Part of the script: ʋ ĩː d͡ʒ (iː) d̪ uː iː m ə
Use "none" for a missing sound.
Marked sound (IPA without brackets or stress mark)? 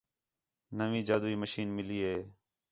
aː